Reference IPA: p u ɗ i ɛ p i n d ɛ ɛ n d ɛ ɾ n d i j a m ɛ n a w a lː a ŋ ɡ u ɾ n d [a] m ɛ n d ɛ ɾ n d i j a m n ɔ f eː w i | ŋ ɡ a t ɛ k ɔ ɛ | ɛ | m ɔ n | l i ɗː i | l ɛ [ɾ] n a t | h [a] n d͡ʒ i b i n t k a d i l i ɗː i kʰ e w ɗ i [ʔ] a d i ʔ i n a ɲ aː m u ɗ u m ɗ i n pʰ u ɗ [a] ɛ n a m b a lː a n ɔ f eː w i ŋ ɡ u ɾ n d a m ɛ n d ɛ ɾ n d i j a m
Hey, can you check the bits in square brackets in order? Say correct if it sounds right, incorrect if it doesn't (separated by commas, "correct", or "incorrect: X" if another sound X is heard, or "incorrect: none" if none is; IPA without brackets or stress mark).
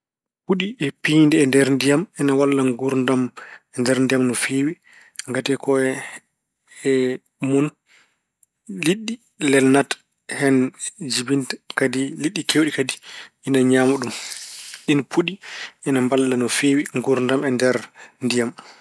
correct, incorrect: l, incorrect: ɛ, incorrect: k, incorrect: i